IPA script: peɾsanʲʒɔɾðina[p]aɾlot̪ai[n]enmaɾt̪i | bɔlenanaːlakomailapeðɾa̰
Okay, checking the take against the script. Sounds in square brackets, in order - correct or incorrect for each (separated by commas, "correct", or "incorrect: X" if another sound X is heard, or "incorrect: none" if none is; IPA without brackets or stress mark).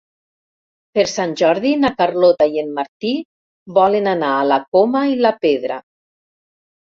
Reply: incorrect: k, incorrect: none